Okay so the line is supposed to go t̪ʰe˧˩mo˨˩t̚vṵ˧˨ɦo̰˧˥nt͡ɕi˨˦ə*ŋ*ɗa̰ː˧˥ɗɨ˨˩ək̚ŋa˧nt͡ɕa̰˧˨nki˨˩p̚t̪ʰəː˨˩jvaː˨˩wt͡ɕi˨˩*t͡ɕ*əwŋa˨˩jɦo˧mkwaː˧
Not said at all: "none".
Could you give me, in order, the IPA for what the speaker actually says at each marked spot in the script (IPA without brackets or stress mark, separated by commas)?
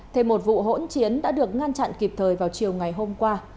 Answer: n, none